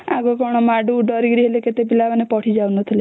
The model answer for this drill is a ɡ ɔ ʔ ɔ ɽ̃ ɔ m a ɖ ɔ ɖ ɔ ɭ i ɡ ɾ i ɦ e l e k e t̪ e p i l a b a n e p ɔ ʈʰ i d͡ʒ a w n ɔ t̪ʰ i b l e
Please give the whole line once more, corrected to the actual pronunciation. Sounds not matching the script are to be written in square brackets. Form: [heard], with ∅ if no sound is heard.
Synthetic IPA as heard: a ɡ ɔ [k] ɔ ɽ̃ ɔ m a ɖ [u] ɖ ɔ [ɾ] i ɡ ɾ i ɦ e l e k e t̪ e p i l a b a n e p ɔ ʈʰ i d͡ʒ a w n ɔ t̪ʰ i [∅] l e